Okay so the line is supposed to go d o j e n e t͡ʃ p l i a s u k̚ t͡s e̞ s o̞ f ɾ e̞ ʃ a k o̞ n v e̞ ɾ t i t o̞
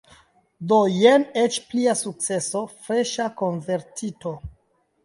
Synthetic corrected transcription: d o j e n e t͡ʃ p l i a s u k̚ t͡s e̞ s o̞ f ɾ e̞ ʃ a k o̞ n v e̞ ɾ t i t o̞